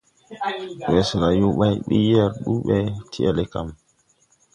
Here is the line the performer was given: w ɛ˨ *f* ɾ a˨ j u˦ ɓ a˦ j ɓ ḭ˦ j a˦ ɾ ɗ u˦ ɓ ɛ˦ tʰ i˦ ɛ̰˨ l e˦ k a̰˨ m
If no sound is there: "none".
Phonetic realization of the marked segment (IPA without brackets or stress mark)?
s